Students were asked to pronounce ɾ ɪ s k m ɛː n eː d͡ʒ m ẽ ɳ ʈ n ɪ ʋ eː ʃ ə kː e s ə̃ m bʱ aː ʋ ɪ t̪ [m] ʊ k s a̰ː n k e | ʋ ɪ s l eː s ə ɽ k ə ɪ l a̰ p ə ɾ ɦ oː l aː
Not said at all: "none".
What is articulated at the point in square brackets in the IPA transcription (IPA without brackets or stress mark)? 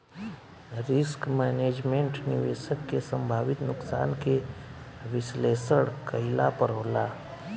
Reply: n